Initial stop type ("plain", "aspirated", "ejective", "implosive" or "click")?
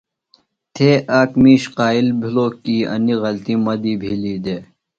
aspirated